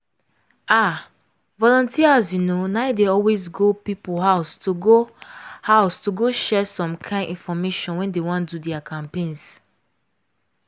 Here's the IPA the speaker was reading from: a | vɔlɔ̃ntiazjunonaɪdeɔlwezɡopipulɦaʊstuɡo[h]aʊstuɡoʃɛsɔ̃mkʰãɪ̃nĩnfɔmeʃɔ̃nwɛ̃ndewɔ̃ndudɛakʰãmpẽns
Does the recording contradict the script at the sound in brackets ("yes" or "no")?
no